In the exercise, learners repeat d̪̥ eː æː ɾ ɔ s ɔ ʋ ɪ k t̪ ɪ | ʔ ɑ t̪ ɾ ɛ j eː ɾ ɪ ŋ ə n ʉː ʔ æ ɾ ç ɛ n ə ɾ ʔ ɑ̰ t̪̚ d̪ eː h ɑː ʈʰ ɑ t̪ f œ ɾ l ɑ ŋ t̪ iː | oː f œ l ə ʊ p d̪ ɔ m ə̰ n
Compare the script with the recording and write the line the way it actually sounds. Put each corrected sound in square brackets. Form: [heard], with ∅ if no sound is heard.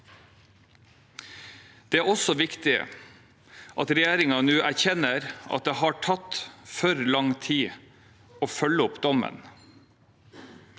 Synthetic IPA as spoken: d̪̥ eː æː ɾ ɔ s ɔ ʋ ɪ k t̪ ɪ | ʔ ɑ t̪ ɾ ɛ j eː ɾ ɪ ŋ [ɑ] n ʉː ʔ æ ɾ ç ɛ n ə ɾ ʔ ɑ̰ t̪̚ d̪ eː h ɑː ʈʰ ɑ t̪ f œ ɾ l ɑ ŋ [t̪ʰ] iː | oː f œ l ə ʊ p d̪ ɔ m ə̰ n